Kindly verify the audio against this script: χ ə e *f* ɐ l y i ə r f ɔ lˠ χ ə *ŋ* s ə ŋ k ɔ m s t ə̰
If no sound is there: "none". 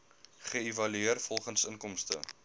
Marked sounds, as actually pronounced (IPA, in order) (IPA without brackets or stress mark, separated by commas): v, n